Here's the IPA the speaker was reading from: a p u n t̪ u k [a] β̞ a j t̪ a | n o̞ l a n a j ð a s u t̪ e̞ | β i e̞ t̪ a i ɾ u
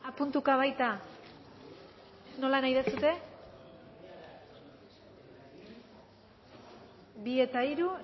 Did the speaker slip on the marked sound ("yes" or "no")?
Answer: no